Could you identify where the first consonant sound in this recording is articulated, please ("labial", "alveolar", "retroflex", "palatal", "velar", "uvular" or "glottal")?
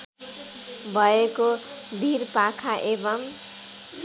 labial